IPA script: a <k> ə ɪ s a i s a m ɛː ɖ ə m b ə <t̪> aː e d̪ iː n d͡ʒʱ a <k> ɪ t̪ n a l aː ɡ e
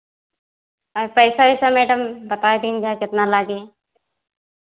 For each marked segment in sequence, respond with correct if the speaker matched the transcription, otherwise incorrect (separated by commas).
incorrect, correct, correct